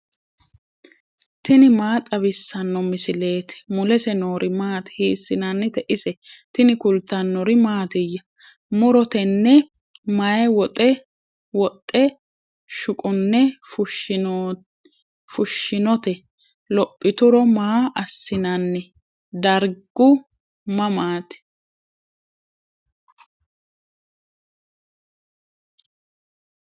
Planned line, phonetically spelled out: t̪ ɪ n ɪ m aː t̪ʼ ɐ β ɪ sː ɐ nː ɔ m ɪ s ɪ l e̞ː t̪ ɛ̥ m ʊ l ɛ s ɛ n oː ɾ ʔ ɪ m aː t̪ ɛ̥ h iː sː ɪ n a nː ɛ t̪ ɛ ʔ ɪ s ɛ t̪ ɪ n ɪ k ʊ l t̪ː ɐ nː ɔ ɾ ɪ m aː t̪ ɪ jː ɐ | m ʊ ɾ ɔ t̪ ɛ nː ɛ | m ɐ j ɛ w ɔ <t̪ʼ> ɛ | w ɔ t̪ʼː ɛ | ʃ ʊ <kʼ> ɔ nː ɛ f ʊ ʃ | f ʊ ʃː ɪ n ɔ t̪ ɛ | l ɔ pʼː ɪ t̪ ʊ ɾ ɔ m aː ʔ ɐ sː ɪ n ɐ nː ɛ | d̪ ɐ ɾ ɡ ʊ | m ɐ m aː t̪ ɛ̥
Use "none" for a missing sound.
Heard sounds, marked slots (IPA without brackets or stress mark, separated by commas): t̪ʼ, kʼ